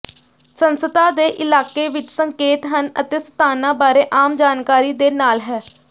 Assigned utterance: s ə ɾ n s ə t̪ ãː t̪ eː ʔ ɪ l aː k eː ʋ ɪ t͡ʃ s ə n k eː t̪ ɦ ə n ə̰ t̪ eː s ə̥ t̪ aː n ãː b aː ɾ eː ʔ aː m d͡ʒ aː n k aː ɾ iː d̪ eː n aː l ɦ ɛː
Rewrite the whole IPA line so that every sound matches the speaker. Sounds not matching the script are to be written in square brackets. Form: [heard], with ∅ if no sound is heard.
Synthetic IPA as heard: s ə [∅] n s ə t̪ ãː [d̪] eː ʔ ɪ l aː k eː ʋ ɪ t͡ʃ s ə [ŋ] k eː t̪ ɦ ə n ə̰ t̪ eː s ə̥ t̪ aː n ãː b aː ɾ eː ʔ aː m d͡ʒ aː n k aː ɾ iː d̪ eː n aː l ɦ ɛː